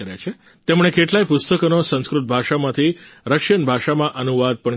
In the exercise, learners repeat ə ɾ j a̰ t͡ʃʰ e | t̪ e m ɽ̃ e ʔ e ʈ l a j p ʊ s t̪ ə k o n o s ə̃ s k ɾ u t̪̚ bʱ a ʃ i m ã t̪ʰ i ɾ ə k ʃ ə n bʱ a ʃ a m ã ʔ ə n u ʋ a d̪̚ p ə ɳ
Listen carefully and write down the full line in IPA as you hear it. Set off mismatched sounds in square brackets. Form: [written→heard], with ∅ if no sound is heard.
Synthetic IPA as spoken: ə ɾ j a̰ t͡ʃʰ e | t̪ e m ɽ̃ e [ʔ→k] e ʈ l a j p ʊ s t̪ ə k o n o s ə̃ s k ɾ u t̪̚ bʱ a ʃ [i→a] m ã t̪ʰ i ɾ ə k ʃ ə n bʱ a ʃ a m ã ʔ ə n u ʋ a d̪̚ p ə ɳ